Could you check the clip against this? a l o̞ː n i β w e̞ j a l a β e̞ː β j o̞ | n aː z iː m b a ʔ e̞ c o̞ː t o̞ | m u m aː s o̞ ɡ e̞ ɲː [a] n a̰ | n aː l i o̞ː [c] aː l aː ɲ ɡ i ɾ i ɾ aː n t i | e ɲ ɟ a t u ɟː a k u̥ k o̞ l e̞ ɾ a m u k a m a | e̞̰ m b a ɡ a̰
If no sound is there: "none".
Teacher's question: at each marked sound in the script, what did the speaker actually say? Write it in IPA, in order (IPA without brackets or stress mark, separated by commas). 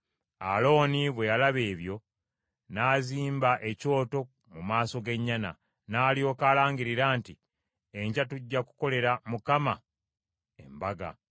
a, k